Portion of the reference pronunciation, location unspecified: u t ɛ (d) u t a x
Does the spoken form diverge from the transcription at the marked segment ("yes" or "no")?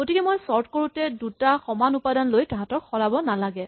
no